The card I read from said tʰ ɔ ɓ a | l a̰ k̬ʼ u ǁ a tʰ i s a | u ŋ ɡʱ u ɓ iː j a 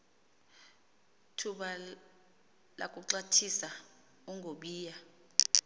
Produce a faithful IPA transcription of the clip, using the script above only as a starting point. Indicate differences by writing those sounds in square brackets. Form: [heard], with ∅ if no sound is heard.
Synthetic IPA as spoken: tʰ [u] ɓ a | l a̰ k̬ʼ u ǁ a tʰ i s a | u ŋ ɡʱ [o] ɓ iː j a